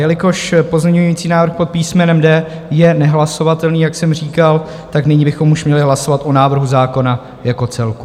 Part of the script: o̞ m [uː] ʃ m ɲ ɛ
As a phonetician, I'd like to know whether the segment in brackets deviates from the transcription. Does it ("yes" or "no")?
yes